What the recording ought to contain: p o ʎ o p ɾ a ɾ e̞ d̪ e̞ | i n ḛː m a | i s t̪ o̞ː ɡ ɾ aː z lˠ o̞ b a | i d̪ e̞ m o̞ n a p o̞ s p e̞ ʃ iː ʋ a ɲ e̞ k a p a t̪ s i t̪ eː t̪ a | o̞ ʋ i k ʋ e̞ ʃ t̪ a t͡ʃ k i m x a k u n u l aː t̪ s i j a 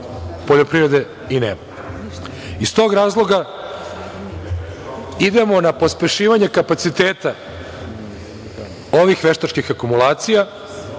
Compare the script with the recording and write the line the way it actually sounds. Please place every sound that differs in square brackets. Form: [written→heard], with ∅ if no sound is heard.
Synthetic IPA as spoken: p o ʎ o p ɾ [a→i] ɾ e̞ d̪ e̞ | i n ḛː m a | i s t̪ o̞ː ɡ ɾ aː z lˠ o̞ [b→ɡ] a | i d̪ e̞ m o̞ n a p o̞ s p e̞ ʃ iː ʋ a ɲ e̞ k a p a t̪ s i t̪ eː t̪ a | o̞ ʋ i [k→x] ʋ e̞ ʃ t̪ a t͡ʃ k i [m→∅] x a k u [n→m] u l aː t̪ s i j a